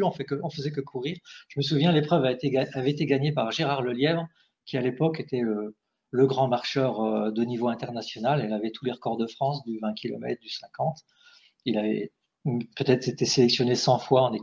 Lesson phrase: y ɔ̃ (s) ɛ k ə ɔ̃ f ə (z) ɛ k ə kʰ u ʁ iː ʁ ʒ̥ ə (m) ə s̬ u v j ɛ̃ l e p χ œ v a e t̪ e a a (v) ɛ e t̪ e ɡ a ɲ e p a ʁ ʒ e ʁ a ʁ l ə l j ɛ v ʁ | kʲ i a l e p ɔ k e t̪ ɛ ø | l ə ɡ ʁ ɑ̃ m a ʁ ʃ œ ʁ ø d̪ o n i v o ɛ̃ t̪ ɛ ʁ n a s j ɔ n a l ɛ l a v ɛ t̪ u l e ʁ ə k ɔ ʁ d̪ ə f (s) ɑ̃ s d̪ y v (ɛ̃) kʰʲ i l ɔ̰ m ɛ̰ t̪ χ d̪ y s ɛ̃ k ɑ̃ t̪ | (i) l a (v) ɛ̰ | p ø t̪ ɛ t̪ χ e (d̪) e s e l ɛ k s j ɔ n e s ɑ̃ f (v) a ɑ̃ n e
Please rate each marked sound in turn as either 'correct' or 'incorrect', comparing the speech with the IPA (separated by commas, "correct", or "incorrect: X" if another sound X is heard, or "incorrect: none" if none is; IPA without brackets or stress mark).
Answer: incorrect: f, correct, correct, correct, incorrect: χ, correct, correct, correct, incorrect: t̪, incorrect: w